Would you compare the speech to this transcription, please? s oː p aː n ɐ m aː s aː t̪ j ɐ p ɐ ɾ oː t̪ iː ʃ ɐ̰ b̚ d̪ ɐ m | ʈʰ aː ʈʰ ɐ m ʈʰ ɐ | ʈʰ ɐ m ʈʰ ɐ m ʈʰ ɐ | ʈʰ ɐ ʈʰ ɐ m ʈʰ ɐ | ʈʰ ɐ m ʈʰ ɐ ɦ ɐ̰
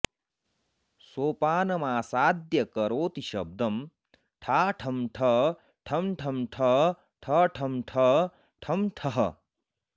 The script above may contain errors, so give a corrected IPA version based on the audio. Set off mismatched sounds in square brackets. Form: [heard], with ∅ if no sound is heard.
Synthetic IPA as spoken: s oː p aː n ɐ m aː s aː [d̪] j ɐ [k] ɐ ɾ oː t̪ [i] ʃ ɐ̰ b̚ d̪ ɐ m | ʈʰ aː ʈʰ ɐ m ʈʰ ɐ | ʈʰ ɐ m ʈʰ ɐ m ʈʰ ɐ | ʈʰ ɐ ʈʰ ɐ m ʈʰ ɐ | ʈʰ ɐ m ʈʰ ɐ ɦ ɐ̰